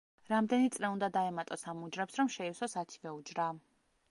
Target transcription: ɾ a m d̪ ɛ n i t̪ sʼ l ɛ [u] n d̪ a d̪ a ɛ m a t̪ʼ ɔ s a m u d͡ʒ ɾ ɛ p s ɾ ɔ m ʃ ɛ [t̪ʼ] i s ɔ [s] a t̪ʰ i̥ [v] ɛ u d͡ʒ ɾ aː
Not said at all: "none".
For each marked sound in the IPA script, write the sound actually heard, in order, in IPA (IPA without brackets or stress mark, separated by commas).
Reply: u, none, s, v